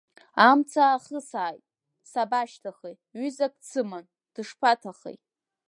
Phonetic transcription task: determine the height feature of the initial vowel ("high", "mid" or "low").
low